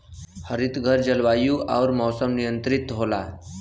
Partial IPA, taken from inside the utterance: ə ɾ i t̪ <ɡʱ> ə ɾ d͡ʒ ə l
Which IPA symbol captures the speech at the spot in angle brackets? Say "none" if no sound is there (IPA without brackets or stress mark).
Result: ɡʱ